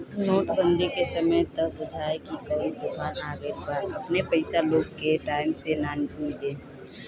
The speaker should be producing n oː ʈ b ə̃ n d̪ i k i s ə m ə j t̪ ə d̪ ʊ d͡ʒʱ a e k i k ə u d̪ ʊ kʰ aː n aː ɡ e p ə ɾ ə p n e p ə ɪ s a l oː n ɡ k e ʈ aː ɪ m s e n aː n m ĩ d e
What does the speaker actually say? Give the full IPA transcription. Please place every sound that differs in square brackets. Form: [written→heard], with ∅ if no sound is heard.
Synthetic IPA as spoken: n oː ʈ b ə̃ n d̪ i k [i→e] s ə m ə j t̪ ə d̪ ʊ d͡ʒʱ a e k i k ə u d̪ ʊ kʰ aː n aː ɡ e p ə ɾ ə p n e p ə ɪ s a l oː [n→∅] ɡ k e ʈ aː ɪ m s e n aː n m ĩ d e